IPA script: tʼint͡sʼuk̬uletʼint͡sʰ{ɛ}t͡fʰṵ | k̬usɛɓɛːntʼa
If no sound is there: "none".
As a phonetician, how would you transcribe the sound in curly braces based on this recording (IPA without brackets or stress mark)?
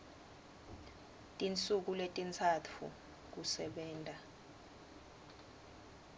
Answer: a